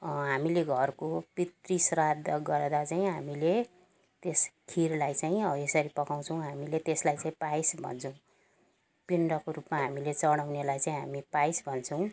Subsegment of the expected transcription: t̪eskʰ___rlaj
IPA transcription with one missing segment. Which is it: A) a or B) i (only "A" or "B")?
B